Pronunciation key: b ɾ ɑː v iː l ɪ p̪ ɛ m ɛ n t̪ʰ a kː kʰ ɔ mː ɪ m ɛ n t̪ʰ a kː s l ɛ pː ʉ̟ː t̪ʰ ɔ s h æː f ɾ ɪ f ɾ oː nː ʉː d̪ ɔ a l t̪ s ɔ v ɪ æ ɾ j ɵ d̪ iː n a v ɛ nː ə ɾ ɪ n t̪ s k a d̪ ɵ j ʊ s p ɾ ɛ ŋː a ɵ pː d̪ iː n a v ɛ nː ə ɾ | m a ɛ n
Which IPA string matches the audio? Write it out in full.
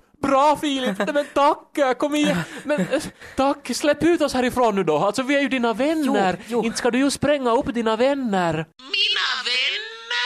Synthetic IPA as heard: b ɾ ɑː f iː l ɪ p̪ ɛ m ɛ n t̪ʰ a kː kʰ ɔ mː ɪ m ɛ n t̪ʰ a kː s l ɛ pː ʉ̟ː t̪ ɔ s h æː ɾ ɪ f ɾ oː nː ʉː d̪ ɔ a l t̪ s ɔ v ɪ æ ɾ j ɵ d̪ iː n a v ɛ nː ə ɾ ɪ n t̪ s k a d̪ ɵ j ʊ s p ɾ ɛ ŋː a ɵ pː d̪ iː n a v ɛ nː ə ɾ | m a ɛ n